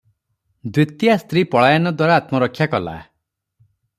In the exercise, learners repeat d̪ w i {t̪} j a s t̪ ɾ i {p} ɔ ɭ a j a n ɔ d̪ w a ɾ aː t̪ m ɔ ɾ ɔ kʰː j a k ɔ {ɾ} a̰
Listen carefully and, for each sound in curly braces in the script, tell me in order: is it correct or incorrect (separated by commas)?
correct, correct, incorrect